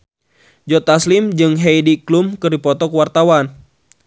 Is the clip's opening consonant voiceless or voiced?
voiced